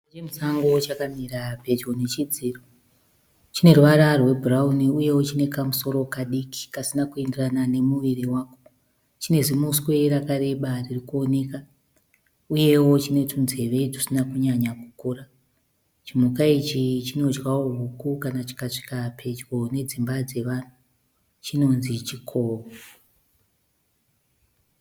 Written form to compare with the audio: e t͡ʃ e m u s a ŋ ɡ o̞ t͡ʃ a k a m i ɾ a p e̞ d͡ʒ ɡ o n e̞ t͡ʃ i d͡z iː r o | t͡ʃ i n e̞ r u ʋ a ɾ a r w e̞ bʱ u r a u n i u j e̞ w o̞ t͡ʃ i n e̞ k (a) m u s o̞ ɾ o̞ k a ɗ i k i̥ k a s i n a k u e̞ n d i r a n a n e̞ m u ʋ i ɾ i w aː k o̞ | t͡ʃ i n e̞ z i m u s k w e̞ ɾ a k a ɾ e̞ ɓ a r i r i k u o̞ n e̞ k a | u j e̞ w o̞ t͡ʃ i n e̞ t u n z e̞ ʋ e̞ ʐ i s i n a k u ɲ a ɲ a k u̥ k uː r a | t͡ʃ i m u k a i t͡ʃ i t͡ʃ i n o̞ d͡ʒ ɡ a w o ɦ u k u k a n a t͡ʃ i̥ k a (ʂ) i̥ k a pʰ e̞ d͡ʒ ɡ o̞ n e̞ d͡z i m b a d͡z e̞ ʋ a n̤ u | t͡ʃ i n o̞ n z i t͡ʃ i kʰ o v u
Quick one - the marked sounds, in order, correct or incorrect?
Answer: correct, correct

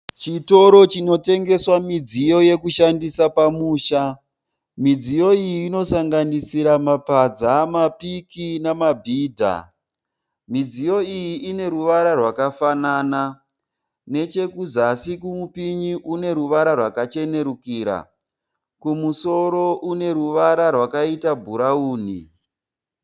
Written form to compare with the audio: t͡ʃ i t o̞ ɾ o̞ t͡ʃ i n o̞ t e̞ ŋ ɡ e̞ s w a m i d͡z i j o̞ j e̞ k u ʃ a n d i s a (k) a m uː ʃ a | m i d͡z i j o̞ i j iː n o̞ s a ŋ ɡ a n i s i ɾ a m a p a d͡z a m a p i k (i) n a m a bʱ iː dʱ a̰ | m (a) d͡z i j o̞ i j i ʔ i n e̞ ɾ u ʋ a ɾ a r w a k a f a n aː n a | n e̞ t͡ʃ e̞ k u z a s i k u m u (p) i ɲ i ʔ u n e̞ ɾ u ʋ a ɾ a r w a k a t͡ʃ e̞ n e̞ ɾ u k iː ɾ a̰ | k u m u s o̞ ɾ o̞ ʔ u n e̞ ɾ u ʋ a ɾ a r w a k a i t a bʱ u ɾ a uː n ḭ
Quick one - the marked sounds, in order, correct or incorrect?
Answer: incorrect: p, correct, incorrect: i, correct

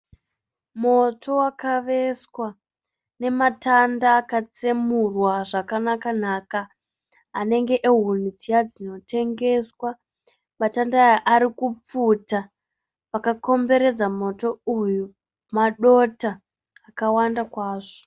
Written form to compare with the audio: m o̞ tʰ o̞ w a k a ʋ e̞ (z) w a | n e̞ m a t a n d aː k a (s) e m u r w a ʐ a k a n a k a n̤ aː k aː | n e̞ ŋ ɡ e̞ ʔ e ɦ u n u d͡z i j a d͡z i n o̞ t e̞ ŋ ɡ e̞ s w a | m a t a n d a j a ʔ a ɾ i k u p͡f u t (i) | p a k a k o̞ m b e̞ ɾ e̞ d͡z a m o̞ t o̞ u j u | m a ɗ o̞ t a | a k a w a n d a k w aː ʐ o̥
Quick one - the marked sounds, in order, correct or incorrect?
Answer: incorrect: s, incorrect: t͡s, incorrect: a

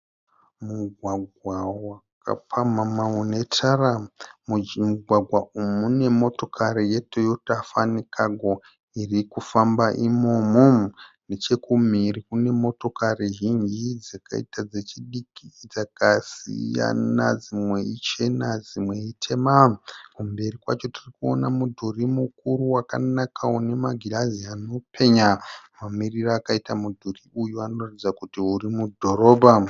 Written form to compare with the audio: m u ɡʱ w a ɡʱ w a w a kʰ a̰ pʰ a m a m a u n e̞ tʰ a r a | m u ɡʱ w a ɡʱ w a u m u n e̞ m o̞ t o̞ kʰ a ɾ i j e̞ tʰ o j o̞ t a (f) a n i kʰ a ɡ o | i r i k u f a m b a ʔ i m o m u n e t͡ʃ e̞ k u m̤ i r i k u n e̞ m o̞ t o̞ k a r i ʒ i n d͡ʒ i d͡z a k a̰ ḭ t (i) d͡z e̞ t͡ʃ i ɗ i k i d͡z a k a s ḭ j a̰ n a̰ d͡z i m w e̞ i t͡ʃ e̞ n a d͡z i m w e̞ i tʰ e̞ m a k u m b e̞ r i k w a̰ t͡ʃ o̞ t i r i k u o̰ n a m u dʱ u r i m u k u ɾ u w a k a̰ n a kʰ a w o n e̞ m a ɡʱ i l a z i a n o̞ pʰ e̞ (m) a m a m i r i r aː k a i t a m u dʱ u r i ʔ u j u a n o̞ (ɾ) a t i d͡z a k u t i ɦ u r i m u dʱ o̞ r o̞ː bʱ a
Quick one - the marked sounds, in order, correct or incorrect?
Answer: correct, incorrect: a, incorrect: ɲ, incorrect: r

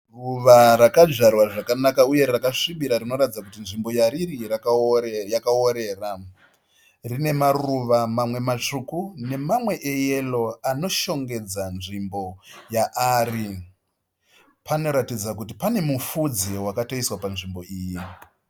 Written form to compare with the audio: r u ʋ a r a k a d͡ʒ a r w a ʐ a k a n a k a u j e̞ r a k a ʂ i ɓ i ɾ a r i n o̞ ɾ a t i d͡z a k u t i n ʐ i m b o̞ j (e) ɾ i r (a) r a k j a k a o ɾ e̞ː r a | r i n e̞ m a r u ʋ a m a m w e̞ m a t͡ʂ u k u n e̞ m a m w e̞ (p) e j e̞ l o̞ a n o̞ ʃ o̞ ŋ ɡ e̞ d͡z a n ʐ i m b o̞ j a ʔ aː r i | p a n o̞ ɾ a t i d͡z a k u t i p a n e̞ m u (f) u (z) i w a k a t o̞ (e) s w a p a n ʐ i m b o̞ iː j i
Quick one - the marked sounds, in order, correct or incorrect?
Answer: incorrect: a, incorrect: i, incorrect: ʔ, correct, incorrect: d͡z, incorrect: i

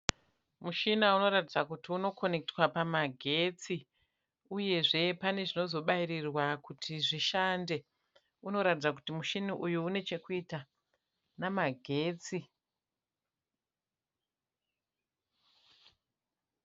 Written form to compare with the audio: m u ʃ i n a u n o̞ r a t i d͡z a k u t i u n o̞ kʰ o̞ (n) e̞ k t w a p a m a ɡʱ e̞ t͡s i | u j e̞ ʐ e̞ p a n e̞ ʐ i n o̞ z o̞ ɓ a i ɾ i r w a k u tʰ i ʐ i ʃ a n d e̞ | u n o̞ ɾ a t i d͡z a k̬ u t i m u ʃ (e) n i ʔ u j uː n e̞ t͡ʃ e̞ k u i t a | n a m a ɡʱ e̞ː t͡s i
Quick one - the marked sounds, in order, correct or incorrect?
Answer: correct, incorrect: i

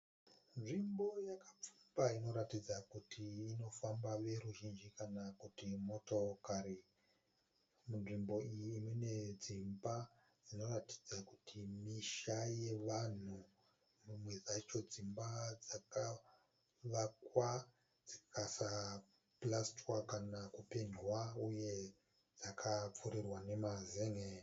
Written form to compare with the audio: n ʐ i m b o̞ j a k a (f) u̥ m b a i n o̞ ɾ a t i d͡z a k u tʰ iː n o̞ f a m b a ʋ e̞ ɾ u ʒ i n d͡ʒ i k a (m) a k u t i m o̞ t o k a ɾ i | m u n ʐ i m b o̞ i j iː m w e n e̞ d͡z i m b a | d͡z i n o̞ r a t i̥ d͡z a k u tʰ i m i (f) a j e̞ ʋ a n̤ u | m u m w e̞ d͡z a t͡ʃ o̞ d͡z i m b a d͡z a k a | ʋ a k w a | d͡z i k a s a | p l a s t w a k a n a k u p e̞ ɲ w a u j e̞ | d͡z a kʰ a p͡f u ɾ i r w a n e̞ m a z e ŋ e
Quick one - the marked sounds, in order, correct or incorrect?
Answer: incorrect: p͡f, incorrect: n, incorrect: ʃ

